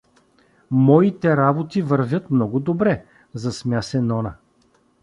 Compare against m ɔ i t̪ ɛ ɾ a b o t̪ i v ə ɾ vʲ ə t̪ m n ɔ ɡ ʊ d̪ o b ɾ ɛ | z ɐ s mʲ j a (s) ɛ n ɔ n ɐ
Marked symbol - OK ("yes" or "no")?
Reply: yes